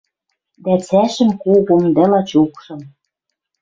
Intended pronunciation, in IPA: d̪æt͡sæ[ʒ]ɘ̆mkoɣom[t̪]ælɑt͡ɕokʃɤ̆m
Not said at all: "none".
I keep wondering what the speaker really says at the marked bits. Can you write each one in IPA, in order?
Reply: ʃ, d̪

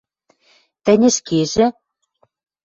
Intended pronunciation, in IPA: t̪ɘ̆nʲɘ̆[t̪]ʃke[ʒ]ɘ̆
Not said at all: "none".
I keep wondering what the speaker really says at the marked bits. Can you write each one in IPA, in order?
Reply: none, ʒ

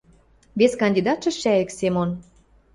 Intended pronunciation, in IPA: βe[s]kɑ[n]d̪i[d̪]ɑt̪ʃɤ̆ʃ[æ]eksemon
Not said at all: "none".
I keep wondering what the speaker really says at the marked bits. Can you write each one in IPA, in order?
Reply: s, n, d̪, æ

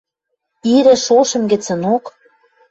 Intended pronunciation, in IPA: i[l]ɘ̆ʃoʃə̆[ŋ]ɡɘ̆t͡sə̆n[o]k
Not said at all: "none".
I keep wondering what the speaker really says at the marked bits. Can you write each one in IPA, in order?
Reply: ɾ, m, o

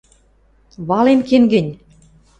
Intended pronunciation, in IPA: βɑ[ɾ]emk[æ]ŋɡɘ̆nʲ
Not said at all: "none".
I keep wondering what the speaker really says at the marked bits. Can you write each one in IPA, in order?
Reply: l, e

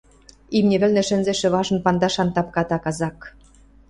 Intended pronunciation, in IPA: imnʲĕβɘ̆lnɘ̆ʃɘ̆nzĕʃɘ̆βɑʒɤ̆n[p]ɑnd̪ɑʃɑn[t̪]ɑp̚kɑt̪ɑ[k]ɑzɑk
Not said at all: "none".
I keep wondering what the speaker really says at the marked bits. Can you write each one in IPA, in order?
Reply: p, t̪, k

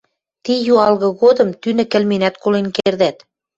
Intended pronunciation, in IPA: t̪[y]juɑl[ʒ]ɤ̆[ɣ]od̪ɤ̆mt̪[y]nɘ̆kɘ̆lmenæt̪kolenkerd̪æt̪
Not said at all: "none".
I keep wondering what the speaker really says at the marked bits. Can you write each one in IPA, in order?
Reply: i, ɣ, ɣ, y

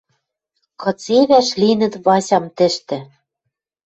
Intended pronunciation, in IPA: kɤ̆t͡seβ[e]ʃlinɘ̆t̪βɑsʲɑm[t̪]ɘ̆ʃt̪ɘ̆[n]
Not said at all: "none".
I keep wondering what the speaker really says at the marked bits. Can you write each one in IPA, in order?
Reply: æ, t̪, none

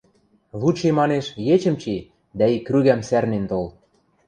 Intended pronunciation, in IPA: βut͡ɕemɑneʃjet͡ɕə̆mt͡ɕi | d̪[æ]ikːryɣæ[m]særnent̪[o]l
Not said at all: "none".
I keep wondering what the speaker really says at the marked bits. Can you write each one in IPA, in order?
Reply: æ, m, o

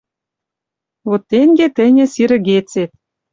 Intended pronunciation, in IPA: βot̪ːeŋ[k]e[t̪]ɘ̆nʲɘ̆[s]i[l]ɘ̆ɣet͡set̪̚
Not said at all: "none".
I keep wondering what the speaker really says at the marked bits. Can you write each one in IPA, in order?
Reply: ɡ, t̪, s, ɾ

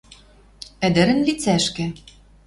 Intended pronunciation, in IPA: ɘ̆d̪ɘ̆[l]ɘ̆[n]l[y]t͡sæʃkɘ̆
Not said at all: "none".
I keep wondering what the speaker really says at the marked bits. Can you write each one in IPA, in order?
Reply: ɾ, n, i

